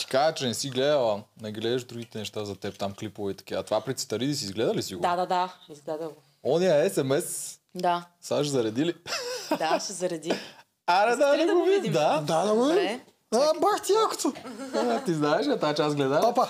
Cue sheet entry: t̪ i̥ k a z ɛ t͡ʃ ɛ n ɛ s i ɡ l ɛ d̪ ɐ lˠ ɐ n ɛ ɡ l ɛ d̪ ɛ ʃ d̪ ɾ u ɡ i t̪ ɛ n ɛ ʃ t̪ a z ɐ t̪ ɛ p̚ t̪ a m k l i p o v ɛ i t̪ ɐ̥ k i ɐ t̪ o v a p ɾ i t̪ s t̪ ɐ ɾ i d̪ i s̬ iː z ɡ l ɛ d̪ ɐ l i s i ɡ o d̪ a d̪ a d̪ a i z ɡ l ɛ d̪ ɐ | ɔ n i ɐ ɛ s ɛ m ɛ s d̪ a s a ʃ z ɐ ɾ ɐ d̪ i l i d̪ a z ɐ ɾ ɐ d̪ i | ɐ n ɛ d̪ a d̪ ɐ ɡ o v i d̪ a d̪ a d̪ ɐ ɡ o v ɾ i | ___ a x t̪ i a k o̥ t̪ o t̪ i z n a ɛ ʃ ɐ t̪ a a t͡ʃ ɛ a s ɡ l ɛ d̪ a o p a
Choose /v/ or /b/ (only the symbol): b